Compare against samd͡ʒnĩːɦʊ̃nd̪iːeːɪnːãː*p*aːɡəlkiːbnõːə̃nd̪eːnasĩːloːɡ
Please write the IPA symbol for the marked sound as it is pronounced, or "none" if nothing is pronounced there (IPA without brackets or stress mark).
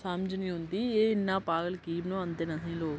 p